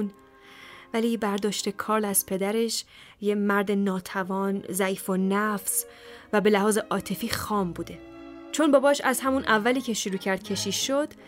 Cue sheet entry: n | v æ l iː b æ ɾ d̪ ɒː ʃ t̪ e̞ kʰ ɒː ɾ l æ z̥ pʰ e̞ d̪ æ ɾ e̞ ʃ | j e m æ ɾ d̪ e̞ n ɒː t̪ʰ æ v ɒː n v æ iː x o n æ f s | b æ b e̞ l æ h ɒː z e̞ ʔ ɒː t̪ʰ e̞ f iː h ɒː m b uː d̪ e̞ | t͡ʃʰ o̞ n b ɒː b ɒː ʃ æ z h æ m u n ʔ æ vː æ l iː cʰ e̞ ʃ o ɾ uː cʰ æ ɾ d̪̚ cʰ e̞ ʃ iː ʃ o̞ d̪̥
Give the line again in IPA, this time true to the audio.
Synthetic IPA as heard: n | v æ l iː b æ ɾ d̪ ɒː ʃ t̪ e̞ kʰ ɒː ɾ l æ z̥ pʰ e̞ d̪ æ ɾ e̞ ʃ | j e m æ ɾ d̪ e̞ n ɒː t̪ʰ æ v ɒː n z æ iː f o n æ f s | v æ b e̞ l æ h ɒː z e̞ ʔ ɒː t̪ʰ e̞ f iː x ɒː m b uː d̪ e̞ | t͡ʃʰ o̞ n b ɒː b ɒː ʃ æ z h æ m u n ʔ æ vː æ l iː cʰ e̞ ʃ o ɾ uː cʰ æ ɾ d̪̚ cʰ e̞ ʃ iː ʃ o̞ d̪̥